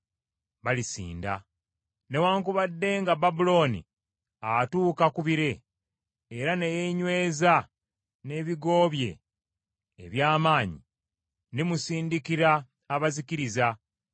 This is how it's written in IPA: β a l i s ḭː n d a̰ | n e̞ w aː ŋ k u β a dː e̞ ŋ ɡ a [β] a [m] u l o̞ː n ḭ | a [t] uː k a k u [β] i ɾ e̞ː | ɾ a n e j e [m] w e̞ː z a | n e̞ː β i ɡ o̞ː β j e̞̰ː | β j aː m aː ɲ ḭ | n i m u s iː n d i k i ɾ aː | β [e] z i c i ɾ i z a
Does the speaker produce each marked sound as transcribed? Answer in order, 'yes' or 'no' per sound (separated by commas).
no, no, yes, yes, no, no